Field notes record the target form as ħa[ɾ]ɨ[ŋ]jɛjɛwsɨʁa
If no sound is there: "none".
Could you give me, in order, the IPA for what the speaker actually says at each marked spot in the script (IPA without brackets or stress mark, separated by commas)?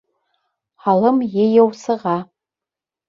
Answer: l, m